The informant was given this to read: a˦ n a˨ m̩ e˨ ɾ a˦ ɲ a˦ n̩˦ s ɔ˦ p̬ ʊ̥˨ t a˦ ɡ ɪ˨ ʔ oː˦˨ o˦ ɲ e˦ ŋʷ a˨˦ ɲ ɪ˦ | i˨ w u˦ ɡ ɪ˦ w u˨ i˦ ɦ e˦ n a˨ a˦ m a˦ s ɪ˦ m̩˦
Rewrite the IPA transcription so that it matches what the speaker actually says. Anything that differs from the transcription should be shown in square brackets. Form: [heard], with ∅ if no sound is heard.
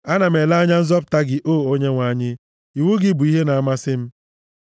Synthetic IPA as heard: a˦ n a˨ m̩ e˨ [l] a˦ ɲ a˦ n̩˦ [z] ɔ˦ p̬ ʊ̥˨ t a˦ ɡ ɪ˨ ʔ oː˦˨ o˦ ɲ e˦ ŋʷ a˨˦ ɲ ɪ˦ | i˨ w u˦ ɡ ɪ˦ [b] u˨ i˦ ɦ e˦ n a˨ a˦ m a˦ s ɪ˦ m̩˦